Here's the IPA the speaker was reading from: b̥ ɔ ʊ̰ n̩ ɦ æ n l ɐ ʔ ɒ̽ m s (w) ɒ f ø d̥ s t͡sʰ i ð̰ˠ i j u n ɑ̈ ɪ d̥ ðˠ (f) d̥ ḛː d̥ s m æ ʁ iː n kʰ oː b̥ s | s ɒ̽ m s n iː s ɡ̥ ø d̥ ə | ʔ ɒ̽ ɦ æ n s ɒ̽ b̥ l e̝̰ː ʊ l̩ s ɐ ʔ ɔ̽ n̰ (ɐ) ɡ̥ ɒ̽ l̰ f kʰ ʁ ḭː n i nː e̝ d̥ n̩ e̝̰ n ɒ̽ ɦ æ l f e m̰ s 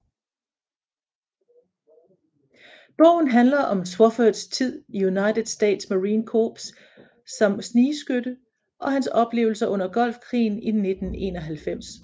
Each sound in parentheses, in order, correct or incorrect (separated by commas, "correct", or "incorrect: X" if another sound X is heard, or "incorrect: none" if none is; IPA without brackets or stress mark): correct, incorrect: s, correct